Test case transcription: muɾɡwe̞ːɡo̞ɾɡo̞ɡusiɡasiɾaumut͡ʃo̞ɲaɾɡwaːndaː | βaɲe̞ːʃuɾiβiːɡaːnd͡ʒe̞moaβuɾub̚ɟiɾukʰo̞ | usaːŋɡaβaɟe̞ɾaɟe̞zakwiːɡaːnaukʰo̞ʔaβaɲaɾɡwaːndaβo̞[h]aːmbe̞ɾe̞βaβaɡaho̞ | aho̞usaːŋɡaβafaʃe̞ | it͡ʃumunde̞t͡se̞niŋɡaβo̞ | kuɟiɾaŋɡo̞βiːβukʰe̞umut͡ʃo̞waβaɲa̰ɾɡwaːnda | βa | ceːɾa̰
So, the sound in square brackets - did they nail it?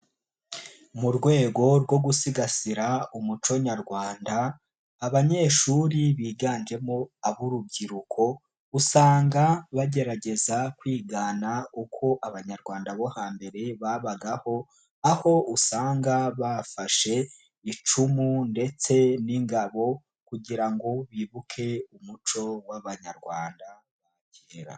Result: yes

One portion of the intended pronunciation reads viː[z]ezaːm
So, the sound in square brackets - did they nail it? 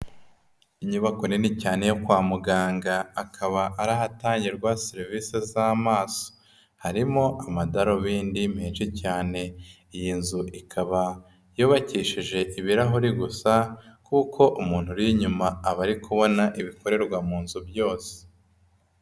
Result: no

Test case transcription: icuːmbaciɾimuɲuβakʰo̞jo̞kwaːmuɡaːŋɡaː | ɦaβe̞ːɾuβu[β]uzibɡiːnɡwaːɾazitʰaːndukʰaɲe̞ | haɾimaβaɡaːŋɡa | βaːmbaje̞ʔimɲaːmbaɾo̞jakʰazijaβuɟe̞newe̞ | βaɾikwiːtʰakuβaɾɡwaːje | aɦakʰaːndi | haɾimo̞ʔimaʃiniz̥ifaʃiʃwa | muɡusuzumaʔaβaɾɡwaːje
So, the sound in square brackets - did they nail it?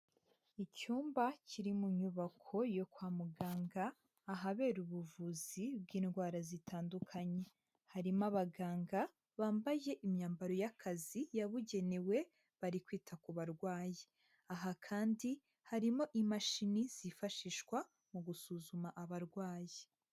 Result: no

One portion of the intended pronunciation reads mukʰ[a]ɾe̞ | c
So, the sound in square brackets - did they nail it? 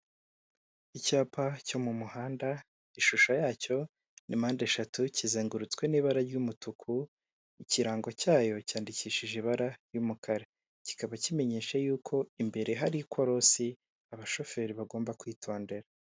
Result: yes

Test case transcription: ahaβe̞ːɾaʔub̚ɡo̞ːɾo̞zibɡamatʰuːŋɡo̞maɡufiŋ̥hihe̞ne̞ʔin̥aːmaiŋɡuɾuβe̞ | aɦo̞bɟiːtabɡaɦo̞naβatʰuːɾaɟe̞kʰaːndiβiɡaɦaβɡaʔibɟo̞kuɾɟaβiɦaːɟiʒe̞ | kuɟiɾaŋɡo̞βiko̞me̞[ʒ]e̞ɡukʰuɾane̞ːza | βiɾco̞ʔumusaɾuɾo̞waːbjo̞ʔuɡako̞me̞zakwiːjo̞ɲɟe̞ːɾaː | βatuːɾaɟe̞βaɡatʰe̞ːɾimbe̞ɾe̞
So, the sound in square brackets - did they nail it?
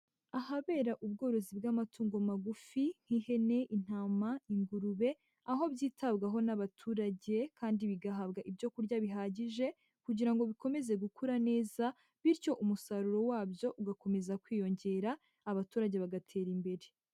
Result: no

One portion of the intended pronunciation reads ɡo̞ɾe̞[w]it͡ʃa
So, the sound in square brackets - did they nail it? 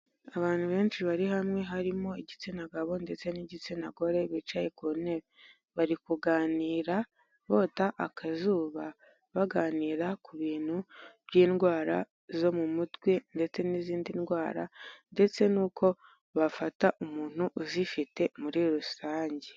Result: no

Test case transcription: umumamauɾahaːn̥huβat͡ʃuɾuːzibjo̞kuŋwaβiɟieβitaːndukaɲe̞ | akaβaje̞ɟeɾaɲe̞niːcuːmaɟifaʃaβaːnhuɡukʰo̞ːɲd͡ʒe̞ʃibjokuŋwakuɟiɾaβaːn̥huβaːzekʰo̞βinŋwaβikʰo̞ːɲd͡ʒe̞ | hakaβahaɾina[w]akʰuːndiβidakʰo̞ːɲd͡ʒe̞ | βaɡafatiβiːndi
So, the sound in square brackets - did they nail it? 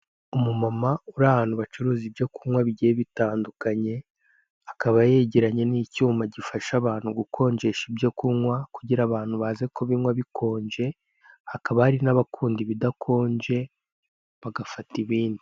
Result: no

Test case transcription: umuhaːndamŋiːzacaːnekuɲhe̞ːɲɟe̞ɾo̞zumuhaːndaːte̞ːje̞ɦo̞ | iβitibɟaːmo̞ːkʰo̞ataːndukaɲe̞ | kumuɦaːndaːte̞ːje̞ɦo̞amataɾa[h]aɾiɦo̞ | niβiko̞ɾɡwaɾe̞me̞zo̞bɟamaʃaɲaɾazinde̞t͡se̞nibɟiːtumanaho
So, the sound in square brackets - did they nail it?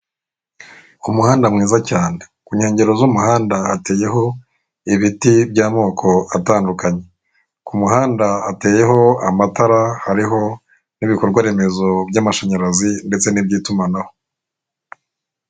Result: yes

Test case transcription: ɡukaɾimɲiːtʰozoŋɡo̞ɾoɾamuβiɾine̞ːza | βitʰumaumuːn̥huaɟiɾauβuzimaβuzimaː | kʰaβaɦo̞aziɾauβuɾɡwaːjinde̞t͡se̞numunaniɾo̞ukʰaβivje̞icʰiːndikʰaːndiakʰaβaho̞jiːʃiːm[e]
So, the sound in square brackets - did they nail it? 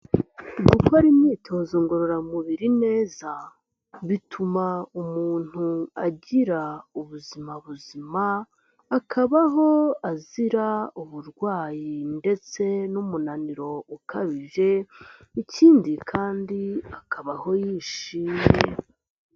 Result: yes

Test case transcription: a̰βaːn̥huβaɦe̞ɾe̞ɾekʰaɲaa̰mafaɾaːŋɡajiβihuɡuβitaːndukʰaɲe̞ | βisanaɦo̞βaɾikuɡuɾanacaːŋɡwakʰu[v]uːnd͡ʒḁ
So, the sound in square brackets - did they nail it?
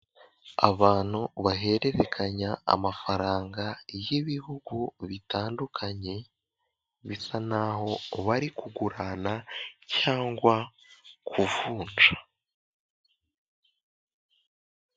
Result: yes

